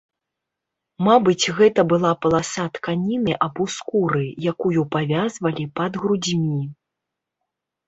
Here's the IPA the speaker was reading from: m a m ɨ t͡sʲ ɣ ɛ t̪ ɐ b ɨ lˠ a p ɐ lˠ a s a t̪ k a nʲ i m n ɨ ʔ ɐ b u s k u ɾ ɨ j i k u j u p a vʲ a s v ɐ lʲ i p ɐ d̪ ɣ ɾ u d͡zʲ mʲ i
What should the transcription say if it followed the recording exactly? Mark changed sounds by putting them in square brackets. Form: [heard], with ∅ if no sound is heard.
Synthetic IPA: m a [b] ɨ t͡sʲ ɣ ɛ t̪ ɐ b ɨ lˠ a p ɐ lˠ a s a t̪ k a nʲ i [∅] n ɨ ʔ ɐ b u s k u ɾ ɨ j [a] k u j u p a vʲ a [z] v ɐ lʲ i p ɐ d̪ ɣ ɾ u d͡zʲ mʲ i